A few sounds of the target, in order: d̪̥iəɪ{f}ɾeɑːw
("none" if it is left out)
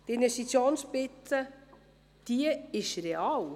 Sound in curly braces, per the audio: ʃ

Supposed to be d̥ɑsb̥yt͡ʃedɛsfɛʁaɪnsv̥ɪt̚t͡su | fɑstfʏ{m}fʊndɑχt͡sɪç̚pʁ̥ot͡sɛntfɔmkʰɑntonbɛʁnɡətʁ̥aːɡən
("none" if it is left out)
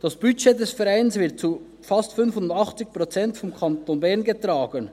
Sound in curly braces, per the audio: n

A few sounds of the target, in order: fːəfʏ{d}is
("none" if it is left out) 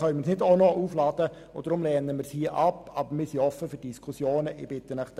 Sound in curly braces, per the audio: d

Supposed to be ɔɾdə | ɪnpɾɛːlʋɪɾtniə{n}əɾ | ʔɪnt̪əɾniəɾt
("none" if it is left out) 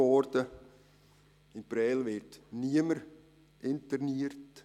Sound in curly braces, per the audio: m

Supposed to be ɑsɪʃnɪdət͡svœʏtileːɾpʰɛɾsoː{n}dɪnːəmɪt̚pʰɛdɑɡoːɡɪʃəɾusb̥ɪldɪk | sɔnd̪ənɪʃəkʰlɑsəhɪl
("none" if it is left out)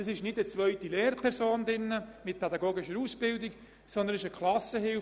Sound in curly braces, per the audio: n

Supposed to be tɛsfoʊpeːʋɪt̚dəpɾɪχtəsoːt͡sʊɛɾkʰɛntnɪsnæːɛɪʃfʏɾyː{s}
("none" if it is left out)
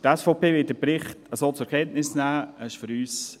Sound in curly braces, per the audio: s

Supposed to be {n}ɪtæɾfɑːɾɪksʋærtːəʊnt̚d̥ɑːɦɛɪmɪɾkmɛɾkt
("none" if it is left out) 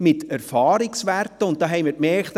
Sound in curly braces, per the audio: m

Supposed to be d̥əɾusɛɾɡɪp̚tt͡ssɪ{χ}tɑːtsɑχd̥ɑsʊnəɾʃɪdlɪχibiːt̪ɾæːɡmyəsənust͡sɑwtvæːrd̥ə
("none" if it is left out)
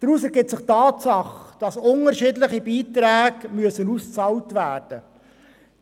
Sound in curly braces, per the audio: χ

